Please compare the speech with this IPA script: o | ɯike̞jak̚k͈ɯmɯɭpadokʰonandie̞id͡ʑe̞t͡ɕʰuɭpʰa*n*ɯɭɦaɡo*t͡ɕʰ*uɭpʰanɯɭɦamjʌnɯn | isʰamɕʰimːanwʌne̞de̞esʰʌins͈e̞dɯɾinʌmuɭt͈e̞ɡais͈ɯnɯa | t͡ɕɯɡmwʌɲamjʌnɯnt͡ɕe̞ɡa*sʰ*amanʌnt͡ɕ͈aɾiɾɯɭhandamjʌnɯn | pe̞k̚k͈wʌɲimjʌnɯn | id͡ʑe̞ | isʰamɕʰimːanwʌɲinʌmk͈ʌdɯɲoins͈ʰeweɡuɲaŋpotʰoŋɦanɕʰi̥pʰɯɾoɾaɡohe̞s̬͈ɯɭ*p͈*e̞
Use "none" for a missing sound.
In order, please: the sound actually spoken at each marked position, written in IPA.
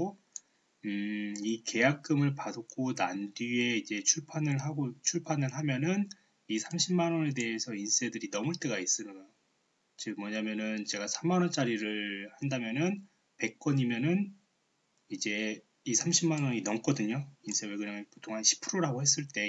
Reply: n, t͡ɕʰ, sʰ, t͈

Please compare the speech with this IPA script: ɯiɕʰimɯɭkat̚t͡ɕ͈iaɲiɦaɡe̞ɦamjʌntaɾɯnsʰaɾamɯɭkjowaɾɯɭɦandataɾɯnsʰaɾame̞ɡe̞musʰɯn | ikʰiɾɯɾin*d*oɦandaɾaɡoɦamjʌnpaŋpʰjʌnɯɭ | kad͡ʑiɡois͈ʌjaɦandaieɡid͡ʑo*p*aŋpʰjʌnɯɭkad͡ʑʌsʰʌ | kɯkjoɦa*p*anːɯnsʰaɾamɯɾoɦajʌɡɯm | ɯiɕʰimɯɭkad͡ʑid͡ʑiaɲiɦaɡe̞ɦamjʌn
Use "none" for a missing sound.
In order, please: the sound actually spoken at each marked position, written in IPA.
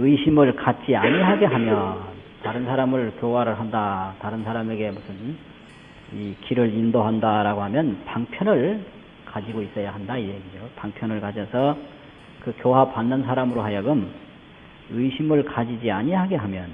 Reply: d, p, p

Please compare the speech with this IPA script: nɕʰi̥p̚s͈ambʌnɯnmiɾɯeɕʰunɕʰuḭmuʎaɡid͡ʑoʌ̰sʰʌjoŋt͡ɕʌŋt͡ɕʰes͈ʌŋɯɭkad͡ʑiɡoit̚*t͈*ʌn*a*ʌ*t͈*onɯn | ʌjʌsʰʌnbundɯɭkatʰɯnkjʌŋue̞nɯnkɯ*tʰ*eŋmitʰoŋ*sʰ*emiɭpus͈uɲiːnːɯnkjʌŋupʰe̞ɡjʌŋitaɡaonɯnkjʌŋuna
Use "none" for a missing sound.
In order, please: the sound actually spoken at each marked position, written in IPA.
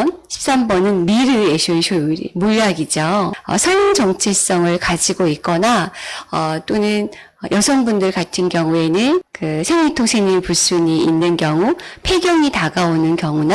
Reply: k͈, a, t͈, sʰ, sʰ

